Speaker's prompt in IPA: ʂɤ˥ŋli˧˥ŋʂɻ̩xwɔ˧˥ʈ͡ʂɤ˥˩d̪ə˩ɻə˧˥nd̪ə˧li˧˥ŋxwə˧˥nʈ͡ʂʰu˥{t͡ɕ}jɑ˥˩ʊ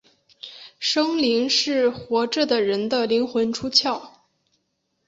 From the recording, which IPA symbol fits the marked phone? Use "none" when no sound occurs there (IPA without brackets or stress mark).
t͡ɕʰ